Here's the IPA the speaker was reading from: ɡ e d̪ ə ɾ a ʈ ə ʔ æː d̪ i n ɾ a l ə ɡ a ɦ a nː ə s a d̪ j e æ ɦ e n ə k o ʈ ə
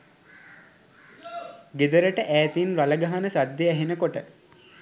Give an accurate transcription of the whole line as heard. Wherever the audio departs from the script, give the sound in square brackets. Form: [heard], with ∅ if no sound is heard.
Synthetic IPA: ɡ e d̪ ə ɾ [ə] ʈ ə ʔ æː [t̪] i n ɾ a l ə ɡ a ɦ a [n] ə s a d̪ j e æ ɦ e n ə k o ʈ ə